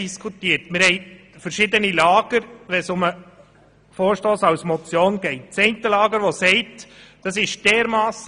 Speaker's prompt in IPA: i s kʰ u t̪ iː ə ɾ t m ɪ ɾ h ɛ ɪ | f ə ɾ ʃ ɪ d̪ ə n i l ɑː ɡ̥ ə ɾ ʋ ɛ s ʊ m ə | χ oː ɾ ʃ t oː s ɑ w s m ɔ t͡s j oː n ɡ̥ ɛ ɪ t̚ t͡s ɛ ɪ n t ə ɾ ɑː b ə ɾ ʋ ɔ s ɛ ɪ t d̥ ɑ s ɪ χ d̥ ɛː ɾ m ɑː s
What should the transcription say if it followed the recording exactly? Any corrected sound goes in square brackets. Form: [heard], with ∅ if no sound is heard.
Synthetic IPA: i s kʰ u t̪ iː ə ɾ t m ɪ ɾ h ɛ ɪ | f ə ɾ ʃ ɪ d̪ ə n i l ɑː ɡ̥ ə ɾ ʋ ɛ s ʊ m ə | [f] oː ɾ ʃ t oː s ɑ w s m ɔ t͡s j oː n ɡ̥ ɛ ɪ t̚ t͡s ɛ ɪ n t ə [l] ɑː [ɡ] ə ɾ ʋ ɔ s ɛ ɪ t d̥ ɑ s ɪ [ʃ] d̥ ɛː ɾ m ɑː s